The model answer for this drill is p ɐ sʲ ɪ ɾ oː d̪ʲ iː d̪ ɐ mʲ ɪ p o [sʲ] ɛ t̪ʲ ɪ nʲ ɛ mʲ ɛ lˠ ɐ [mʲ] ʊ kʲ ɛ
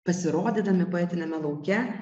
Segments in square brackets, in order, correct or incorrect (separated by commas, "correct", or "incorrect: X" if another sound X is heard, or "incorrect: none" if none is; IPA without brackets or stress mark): incorrect: none, incorrect: none